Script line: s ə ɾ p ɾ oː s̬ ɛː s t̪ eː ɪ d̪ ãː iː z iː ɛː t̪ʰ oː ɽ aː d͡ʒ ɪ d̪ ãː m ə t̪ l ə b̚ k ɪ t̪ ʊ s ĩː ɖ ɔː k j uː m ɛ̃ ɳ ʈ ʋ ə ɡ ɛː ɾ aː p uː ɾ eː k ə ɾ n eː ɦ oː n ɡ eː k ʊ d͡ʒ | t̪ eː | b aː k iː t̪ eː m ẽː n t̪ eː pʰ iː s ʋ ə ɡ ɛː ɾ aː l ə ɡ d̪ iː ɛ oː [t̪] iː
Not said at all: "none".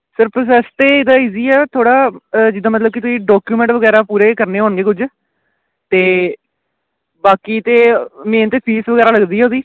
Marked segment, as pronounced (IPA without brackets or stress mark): d̪